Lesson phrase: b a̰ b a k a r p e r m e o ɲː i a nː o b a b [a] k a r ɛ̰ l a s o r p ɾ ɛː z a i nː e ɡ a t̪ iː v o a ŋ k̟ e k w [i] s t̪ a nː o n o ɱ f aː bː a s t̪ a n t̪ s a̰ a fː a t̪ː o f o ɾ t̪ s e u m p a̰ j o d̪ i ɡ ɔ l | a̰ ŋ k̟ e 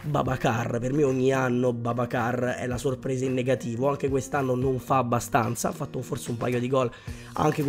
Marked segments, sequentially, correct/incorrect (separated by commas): correct, incorrect